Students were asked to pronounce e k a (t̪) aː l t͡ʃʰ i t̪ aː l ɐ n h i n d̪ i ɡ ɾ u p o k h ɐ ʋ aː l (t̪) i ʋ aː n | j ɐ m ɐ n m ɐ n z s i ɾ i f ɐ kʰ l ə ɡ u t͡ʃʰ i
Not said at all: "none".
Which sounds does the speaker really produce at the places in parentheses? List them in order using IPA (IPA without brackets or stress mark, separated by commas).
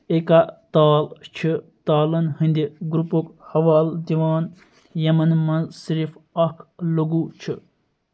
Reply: t̪, d̪